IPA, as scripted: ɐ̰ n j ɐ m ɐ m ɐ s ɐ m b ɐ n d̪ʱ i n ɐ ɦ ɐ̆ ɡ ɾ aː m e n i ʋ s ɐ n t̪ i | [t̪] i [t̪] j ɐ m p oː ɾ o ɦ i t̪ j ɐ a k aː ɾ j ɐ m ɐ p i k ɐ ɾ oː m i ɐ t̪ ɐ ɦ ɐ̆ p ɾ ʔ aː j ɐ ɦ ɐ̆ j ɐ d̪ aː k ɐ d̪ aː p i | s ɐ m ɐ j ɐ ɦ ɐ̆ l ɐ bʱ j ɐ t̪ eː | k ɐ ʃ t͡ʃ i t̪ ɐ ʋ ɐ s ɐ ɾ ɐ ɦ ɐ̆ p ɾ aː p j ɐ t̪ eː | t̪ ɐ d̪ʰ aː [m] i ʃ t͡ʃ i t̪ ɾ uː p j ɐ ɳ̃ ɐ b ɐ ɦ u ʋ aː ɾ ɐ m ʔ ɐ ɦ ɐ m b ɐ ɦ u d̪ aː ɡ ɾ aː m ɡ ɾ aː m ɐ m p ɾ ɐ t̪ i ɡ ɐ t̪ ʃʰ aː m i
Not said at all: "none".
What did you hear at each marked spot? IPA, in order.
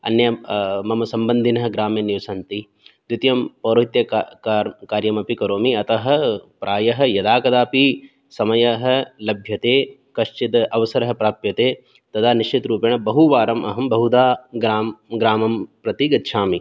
d̪, t̪, n

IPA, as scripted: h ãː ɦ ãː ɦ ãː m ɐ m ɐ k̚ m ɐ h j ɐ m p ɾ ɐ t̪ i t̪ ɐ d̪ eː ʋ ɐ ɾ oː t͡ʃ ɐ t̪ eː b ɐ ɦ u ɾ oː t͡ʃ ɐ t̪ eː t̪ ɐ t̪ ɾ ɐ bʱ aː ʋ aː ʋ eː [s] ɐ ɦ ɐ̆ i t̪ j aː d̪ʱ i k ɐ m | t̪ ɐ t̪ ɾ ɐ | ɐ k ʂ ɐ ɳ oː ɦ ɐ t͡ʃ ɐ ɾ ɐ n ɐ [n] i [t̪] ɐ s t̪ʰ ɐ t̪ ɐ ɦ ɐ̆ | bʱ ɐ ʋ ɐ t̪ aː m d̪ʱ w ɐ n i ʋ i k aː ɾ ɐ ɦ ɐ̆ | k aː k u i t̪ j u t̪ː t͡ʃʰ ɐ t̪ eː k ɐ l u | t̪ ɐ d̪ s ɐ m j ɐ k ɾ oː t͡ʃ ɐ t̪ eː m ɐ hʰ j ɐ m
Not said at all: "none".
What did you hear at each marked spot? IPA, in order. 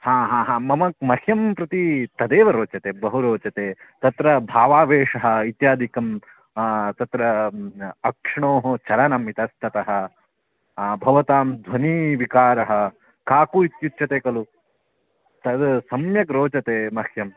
ʂ, m, t̪

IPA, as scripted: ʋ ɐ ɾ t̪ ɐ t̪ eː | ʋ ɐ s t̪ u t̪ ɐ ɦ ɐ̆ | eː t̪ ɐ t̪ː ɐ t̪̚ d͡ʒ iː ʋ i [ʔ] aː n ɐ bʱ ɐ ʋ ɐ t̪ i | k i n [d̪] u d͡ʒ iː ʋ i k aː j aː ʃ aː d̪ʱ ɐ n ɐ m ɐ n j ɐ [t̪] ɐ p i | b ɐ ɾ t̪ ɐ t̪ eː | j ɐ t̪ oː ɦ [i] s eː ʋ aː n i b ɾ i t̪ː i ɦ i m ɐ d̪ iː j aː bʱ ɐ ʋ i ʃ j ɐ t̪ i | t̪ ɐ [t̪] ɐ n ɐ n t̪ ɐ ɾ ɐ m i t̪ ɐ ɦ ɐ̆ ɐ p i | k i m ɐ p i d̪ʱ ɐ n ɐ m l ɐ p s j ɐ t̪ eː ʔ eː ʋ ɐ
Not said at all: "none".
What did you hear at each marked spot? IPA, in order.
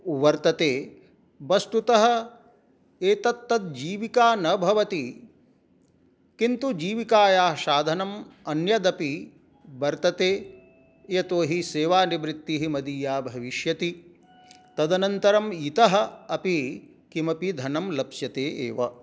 k, t̪, d̪, i, d̪

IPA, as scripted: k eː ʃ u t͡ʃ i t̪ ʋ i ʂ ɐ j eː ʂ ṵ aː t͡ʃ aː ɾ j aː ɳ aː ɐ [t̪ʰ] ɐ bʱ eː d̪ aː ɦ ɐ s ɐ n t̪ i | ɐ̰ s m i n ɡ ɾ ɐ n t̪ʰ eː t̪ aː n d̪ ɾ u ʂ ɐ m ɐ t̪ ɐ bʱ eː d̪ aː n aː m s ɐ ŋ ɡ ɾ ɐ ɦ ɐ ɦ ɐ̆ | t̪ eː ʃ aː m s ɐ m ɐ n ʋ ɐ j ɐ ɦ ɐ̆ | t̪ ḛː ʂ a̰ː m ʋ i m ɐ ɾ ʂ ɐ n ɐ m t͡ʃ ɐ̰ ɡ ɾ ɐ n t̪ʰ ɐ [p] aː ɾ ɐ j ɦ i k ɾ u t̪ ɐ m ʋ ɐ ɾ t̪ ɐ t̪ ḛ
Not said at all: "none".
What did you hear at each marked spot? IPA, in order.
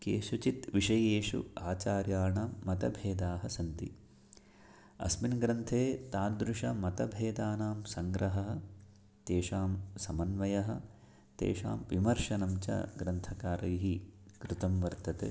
t̪, k

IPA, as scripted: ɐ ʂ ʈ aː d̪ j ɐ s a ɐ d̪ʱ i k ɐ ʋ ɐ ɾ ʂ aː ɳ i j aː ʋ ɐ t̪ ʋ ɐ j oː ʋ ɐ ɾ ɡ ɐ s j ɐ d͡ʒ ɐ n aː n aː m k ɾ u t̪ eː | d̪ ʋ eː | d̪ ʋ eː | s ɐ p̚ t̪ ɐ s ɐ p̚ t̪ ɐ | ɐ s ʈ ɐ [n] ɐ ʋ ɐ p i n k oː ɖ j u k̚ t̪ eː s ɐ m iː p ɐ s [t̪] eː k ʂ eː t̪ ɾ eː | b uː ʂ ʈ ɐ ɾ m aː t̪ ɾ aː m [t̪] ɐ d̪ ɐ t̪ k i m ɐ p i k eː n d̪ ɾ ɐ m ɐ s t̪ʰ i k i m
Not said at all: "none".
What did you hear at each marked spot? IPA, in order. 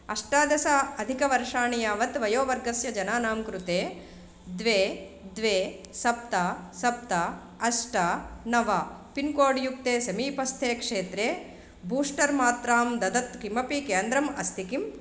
n, t̪ʰ, d̪

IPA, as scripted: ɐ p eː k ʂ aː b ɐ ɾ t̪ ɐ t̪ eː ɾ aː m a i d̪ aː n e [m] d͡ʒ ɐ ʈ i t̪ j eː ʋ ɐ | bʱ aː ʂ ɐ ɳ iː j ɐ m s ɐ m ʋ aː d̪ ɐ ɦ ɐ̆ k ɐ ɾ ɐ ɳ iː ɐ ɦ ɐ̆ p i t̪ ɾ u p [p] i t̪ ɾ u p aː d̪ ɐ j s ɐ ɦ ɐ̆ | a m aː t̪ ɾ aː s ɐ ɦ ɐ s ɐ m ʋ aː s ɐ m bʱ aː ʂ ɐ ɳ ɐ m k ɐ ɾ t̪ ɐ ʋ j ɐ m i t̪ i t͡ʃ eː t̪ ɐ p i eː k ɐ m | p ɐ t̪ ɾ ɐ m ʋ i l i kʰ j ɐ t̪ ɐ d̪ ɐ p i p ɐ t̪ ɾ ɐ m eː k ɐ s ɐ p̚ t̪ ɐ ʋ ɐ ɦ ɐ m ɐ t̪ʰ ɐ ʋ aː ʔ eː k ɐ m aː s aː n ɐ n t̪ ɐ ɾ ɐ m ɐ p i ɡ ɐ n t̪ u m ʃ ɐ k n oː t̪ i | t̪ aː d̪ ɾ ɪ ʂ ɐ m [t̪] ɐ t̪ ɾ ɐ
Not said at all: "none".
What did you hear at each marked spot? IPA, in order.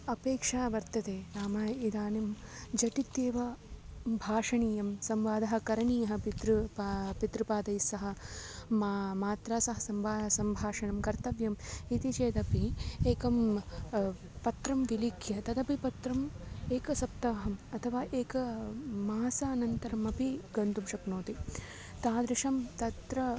m, p, t̪

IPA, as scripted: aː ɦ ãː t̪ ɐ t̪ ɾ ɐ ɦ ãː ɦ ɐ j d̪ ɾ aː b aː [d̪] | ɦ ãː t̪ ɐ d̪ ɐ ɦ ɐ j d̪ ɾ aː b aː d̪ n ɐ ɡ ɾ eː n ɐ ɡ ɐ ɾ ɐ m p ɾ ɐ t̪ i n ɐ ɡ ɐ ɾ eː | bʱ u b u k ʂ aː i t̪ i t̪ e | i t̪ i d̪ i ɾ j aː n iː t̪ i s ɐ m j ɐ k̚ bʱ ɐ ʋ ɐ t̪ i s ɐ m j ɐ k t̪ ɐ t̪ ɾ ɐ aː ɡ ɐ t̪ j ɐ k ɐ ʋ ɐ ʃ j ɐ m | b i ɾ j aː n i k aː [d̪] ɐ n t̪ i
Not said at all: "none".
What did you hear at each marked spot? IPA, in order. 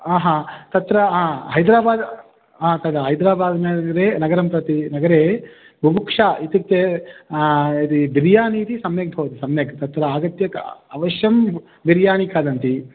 d̪, d̪

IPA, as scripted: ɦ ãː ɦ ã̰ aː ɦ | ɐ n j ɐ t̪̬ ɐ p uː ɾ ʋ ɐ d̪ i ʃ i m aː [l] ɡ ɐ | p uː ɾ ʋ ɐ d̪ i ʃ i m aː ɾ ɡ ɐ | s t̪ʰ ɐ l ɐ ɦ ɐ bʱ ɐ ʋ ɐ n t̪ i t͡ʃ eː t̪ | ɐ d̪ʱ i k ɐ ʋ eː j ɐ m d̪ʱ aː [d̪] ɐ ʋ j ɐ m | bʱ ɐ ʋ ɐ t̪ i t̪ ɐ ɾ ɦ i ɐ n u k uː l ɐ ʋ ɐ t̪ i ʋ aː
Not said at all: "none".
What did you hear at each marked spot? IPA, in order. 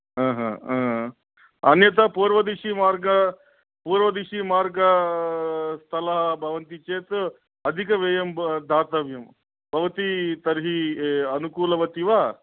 ɾ, t̪

